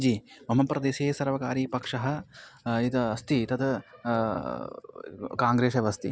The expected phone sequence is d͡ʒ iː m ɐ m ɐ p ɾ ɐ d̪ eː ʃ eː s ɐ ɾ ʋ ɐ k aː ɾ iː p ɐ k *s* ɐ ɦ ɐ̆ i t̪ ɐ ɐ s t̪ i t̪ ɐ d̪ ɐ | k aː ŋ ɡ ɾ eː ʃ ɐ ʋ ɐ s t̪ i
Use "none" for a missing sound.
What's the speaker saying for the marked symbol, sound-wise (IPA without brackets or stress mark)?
ʂ